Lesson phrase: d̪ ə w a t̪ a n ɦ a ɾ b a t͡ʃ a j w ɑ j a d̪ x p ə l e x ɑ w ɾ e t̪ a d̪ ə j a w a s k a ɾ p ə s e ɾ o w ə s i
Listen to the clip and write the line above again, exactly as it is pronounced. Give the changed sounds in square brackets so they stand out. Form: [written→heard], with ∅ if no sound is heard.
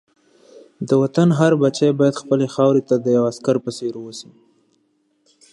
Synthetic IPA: d̪ ə w a t̪ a n ɦ a ɾ b a t͡ʃ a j [w→b] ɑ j a d̪ x p ə l e x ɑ w ɾ e t̪ a d̪ ə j a w a s k a ɾ p ə s e ɾ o w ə s i